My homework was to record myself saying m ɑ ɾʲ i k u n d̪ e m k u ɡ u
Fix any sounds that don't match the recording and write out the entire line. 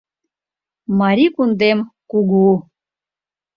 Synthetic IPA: m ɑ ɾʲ i k u n d̪ e m k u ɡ u